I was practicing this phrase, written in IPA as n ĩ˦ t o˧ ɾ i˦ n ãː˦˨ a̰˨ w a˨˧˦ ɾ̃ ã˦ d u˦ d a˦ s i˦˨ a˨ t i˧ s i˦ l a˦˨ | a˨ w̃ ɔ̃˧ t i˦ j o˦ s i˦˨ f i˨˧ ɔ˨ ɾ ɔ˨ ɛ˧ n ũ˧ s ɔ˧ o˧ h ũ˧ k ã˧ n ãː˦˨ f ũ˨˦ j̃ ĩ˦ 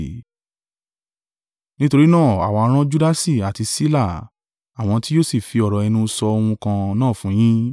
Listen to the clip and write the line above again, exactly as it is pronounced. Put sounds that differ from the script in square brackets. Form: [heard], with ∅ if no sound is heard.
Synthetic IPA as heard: n ĩ˦ t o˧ ɾ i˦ n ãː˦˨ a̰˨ w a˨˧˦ ɾ̃ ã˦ [d͡ʒ] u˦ d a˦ s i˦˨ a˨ t i˧ s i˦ l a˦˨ | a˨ w̃ ɔ̃˧ t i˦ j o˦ s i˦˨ f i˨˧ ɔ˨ ɾ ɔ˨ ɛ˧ n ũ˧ s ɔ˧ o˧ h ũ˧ k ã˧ n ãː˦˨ f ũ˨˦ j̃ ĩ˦

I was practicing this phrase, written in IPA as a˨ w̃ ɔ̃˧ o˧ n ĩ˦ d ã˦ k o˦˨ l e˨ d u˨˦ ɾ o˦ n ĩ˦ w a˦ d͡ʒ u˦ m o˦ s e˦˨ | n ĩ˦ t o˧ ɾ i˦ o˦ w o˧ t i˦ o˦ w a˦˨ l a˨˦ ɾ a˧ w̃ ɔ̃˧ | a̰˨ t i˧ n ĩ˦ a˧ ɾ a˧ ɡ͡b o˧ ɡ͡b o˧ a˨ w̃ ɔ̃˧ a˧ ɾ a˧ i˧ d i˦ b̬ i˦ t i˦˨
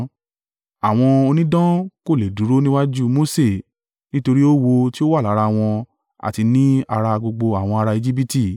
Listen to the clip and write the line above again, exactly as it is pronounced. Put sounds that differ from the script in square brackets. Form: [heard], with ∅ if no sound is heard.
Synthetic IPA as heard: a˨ w̃ ɔ̃˧ o˧ n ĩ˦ d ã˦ k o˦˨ l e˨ d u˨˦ ɾ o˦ n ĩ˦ w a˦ d͡ʒ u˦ m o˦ s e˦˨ | n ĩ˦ t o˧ ɾ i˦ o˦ w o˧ t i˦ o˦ w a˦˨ l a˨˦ ɾ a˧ w̃ ɔ̃˧ | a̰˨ t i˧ n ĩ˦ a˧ ɾ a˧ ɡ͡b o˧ ɡ͡b o˧ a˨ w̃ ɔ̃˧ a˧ ɾ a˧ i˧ [d͡ʒ] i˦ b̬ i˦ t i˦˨

